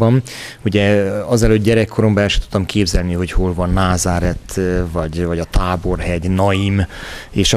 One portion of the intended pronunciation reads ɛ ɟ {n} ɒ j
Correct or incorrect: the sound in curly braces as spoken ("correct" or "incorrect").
correct